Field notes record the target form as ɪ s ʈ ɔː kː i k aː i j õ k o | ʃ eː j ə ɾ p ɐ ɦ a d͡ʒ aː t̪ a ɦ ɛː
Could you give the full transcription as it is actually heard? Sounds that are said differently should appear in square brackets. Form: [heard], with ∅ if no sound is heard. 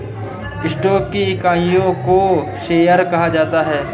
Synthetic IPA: ɪ s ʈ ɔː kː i k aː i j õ k o | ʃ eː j ə ɾ [k] ɐ ɦ a d͡ʒ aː t̪ a ɦ ɛː